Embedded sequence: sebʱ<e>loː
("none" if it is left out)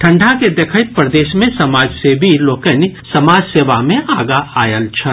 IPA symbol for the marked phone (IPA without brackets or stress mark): i